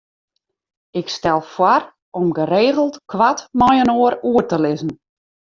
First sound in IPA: ɪ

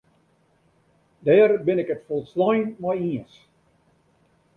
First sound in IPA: d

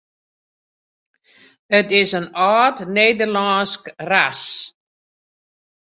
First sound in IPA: ə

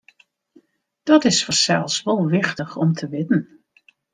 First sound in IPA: d̥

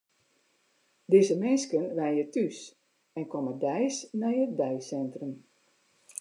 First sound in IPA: d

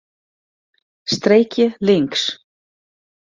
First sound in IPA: s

